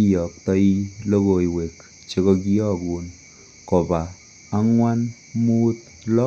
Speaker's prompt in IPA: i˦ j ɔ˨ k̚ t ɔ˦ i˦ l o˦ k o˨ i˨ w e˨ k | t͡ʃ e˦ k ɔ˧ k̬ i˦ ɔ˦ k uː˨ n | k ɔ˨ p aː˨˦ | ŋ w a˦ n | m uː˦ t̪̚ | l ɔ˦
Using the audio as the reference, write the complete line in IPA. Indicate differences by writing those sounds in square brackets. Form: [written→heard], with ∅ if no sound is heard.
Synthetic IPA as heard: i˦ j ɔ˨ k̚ t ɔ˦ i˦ l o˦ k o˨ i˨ w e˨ k | t͡ʃ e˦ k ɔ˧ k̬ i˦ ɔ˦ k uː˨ n | k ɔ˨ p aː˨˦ | ŋ w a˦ n | m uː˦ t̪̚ | l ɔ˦